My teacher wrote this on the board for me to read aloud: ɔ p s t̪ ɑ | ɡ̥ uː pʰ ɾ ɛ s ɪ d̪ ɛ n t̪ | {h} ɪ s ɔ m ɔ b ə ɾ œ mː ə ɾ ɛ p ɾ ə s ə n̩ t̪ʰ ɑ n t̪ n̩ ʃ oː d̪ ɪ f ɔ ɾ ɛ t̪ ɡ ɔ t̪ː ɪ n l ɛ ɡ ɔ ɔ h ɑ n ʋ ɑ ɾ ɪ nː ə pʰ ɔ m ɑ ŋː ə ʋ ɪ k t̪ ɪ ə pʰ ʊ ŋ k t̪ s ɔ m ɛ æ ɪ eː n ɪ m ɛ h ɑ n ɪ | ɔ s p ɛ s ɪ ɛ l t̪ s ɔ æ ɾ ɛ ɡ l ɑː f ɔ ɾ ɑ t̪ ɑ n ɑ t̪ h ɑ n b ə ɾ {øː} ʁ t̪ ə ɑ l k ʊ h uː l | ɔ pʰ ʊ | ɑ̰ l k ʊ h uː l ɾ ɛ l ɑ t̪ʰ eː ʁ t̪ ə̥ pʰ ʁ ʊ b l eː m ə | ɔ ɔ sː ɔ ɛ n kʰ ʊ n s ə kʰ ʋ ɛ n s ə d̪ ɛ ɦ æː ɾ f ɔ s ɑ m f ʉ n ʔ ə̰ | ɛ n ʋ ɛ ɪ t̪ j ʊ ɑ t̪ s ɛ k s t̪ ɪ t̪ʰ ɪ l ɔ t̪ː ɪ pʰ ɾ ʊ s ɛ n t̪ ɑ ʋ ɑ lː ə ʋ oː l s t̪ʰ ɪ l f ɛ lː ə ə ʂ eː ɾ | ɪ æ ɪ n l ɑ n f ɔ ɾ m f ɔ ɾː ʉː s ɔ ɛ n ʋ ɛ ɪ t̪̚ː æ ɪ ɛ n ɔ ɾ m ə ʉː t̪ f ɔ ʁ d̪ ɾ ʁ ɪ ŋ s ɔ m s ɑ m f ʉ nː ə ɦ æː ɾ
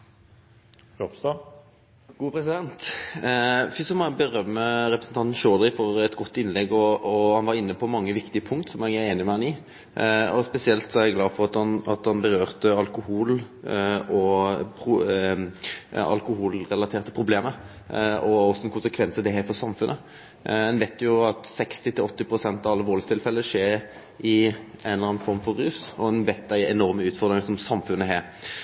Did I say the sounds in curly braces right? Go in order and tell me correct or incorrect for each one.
incorrect: f, correct

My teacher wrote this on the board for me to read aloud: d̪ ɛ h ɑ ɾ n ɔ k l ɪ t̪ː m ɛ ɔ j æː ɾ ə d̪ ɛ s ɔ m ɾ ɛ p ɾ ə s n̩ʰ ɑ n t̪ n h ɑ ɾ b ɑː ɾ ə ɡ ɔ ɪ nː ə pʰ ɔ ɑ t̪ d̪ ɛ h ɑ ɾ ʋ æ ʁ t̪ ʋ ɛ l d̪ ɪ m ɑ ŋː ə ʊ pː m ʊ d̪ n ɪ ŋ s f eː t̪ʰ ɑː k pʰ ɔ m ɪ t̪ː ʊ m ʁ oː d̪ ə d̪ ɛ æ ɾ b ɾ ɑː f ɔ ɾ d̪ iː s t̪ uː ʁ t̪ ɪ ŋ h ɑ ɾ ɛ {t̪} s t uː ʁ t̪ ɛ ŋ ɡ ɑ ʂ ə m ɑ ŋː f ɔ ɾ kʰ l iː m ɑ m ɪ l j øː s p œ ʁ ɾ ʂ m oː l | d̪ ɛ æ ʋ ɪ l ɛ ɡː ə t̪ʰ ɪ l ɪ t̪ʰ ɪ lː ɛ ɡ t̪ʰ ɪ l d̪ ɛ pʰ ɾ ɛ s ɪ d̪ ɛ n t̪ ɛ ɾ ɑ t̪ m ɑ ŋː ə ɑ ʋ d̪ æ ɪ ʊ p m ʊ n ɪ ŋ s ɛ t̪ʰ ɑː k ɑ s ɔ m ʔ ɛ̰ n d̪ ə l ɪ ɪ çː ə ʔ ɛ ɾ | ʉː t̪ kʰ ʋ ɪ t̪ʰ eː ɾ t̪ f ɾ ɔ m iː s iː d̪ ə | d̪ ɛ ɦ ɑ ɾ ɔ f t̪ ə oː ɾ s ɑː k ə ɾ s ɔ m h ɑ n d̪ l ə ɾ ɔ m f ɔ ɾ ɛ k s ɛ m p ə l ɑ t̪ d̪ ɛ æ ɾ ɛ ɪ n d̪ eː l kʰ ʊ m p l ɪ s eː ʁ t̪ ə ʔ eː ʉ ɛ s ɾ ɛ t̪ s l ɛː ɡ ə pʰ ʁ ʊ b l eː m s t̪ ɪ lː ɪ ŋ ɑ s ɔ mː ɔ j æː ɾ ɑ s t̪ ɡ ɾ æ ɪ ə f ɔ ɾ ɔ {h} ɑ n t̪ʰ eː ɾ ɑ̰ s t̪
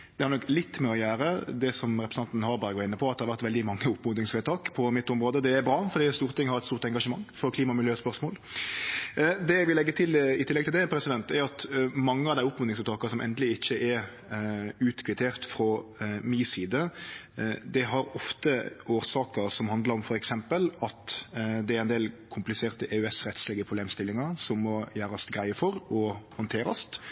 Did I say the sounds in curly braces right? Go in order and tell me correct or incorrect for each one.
correct, correct

